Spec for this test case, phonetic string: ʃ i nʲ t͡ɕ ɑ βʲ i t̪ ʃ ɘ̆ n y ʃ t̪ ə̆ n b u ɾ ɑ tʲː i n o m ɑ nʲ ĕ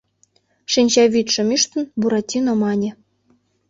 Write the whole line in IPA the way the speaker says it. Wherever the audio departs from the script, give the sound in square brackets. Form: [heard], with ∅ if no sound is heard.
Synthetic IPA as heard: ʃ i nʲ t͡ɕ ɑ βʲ i t̪ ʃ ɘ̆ [m] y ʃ t̪ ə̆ n b u ɾ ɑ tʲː i n o m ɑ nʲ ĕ